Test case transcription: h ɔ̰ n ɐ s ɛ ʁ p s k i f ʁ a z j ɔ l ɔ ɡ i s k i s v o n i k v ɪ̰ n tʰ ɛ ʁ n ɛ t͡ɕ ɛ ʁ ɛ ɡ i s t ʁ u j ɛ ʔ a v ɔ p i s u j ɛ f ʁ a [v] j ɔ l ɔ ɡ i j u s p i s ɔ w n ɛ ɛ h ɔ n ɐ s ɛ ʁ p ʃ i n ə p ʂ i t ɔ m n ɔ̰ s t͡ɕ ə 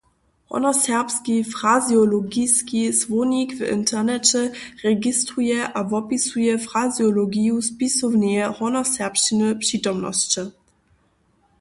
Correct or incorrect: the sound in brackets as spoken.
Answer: incorrect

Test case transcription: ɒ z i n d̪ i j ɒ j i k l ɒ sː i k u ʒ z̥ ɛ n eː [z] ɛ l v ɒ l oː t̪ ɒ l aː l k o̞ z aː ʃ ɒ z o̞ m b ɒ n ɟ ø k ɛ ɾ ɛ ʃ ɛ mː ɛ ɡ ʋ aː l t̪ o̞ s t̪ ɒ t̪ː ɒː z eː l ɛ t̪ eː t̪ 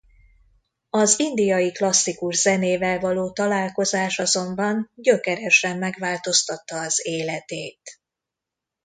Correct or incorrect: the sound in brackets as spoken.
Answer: incorrect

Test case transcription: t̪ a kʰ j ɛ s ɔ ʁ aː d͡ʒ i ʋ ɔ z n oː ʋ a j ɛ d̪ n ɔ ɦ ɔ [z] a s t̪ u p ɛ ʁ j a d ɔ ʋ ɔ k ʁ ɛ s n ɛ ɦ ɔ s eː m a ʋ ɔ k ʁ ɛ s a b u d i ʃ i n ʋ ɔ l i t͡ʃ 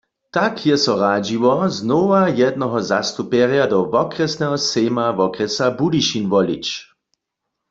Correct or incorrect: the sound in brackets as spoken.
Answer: correct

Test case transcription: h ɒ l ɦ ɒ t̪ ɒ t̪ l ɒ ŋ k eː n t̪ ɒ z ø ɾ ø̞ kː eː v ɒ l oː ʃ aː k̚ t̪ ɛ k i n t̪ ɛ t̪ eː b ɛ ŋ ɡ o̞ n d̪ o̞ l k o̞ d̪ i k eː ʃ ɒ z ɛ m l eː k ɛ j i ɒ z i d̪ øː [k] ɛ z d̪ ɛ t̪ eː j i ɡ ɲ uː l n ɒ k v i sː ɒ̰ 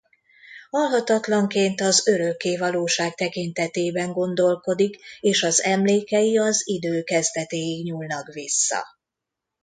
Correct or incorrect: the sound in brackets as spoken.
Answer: correct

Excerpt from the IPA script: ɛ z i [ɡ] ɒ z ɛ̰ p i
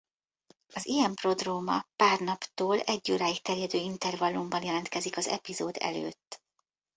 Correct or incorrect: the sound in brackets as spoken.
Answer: incorrect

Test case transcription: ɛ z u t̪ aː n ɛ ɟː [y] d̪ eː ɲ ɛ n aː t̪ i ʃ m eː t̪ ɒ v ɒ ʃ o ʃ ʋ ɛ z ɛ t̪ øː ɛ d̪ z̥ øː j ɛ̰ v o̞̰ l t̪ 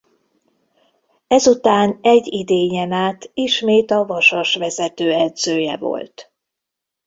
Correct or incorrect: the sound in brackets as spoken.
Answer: incorrect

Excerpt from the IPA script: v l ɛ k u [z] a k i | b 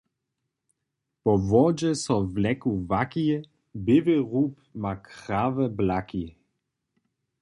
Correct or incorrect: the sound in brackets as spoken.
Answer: incorrect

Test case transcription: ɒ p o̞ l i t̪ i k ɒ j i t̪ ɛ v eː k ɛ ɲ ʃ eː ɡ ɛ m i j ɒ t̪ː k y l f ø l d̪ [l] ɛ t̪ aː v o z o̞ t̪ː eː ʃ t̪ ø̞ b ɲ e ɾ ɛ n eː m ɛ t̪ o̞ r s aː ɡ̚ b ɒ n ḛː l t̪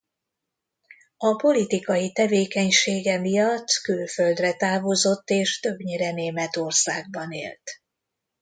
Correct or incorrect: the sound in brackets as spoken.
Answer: incorrect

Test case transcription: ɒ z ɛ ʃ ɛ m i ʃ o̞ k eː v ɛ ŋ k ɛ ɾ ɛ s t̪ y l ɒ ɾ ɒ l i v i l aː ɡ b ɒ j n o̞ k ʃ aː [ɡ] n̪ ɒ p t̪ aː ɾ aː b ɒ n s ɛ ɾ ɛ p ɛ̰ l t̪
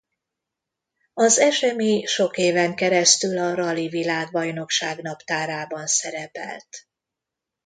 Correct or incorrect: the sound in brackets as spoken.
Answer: correct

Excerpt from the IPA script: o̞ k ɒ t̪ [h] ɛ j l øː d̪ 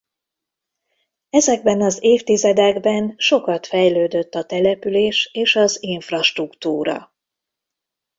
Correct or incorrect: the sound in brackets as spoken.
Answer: incorrect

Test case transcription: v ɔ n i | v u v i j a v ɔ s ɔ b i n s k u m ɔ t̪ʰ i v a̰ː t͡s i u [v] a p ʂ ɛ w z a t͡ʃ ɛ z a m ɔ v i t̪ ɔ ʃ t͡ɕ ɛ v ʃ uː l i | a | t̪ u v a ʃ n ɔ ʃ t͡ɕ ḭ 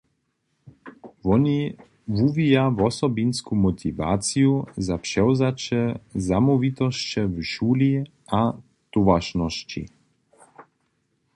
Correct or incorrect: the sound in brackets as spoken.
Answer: incorrect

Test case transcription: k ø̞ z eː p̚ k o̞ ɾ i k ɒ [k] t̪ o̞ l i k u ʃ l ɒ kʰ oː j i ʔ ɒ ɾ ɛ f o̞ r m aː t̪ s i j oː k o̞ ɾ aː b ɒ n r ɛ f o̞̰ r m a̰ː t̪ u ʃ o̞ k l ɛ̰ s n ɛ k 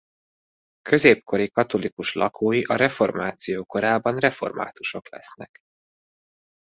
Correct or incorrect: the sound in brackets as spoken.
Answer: incorrect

